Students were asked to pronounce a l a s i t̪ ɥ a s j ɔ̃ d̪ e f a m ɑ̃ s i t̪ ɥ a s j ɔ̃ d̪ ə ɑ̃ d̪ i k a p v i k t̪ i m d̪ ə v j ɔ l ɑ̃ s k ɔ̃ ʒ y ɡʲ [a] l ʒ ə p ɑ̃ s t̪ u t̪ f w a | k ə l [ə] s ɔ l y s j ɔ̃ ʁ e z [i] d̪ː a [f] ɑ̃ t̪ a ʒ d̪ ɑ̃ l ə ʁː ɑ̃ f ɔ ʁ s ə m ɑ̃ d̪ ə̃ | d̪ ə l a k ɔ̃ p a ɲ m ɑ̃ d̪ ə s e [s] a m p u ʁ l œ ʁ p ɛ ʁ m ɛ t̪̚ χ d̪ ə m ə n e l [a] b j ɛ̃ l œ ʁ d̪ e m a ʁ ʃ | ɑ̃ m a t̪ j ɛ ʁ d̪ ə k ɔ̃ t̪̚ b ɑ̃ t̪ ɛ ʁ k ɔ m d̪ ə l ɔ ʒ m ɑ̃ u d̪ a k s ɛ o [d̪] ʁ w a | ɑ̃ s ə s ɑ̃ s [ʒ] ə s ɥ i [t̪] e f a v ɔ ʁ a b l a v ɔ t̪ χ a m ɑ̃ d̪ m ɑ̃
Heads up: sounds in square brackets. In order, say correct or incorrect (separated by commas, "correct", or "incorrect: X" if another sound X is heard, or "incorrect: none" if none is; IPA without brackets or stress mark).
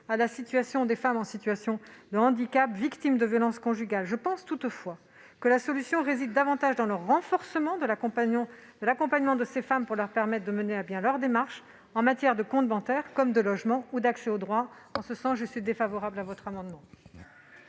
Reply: correct, incorrect: a, correct, incorrect: v, incorrect: f, correct, correct, correct, incorrect: d̪